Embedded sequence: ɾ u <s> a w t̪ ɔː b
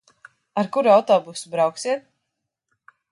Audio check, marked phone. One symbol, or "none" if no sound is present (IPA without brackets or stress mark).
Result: none